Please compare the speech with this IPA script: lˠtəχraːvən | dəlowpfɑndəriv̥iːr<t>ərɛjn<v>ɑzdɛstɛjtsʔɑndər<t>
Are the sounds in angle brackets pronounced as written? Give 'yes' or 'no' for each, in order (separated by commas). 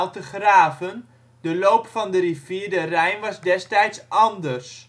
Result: no, no, no